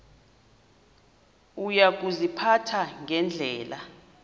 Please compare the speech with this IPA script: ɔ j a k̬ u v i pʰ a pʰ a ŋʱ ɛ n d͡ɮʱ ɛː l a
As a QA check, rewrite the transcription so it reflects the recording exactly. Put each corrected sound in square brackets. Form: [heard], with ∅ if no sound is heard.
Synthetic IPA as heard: [u] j a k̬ u [z] i pʰ a [tʰ] a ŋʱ ɛ n d͡ɮʱ ɛː l a